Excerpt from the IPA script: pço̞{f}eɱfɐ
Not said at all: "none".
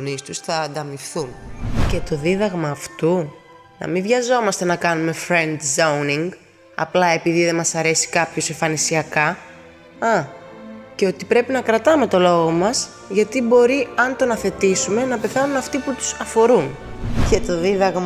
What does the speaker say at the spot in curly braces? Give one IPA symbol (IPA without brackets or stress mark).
s